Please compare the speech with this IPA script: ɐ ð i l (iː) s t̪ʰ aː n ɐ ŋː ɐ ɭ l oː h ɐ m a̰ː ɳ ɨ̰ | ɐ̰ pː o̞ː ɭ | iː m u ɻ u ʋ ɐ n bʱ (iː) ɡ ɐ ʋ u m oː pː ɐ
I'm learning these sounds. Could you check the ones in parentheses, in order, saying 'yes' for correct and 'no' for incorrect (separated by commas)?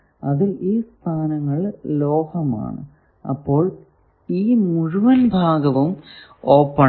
yes, no